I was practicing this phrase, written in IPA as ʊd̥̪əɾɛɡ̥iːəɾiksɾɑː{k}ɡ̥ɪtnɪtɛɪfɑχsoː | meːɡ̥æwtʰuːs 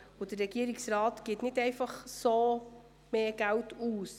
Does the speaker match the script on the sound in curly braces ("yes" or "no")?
no